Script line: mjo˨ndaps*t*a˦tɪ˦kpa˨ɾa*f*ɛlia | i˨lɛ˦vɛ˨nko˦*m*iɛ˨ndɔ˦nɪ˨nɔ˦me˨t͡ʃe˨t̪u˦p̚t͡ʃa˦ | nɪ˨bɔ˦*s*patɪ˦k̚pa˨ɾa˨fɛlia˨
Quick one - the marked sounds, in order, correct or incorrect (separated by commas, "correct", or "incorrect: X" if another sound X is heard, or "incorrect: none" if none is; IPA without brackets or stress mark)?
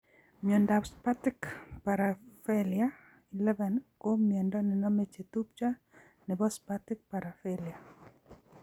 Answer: incorrect: p, correct, correct, correct